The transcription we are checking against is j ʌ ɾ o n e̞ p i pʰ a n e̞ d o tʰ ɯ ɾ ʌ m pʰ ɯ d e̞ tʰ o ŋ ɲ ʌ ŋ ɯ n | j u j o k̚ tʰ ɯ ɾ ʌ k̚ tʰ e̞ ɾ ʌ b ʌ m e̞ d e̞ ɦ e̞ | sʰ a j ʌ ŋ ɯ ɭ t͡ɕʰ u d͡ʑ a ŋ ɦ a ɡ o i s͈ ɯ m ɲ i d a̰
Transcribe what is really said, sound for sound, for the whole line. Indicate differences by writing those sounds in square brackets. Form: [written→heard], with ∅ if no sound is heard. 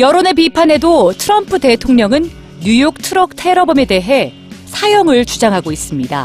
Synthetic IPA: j ʌ ɾ o n e̞ p i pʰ a n e̞ d o tʰ ɯ ɾ ʌ m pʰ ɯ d e̞ tʰ o ŋ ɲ ʌ ŋ ɯ n | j u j o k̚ tʰ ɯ ɾ ʌ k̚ tʰ e̞ ɾ ʌ b ʌ m e̞ d e̞ ɦ e̞ | sʰ a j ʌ ŋ ɯ ɭ [t͡ɕʰ→t͡ɕ] u d͡ʑ a ŋ ɦ a ɡ o i s͈ ɯ m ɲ i d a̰